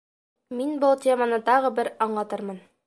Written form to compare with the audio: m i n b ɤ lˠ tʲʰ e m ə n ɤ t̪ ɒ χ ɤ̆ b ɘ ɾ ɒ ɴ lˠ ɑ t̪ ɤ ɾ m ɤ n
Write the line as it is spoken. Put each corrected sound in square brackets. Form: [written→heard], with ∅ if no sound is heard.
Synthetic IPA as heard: m i n b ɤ lˠ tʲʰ e m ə n ɤ t̪ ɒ [χ→ʁ] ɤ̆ b ɘ ɾ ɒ ɴ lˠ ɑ t̪ ɤ ɾ m ɤ n